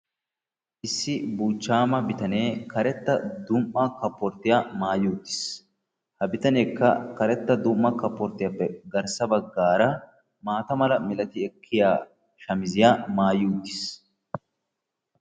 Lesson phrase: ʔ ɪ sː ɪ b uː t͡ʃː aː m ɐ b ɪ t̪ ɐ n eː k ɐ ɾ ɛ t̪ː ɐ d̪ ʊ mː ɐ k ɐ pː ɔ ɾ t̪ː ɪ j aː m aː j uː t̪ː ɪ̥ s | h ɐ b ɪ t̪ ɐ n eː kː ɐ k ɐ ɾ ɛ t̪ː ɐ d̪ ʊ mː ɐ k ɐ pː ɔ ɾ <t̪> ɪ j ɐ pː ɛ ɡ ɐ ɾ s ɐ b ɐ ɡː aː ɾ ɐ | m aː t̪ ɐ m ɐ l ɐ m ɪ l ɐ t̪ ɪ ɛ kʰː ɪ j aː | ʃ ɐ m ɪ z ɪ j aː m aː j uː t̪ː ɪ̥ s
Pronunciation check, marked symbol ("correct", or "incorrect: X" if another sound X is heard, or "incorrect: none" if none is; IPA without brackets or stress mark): correct